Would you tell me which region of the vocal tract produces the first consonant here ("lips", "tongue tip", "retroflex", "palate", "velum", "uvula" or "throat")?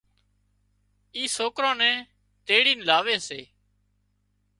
tongue tip